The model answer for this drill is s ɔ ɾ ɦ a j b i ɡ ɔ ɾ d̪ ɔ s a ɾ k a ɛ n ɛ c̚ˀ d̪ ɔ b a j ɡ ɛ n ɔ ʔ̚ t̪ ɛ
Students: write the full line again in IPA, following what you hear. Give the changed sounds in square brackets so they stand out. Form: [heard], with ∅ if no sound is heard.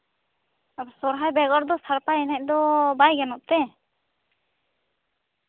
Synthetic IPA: s ɔ ɾ ɦ a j b [ɛ] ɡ ɔ ɾ d̪ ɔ s a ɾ [p] a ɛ n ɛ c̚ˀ d̪ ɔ b a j ɡ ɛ n ɔ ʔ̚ t̪ ɛ